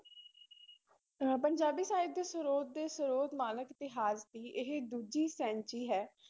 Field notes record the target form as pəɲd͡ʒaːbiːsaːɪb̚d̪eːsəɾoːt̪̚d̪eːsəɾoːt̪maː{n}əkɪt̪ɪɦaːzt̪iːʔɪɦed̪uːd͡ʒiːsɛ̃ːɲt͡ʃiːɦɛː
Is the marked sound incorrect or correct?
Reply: correct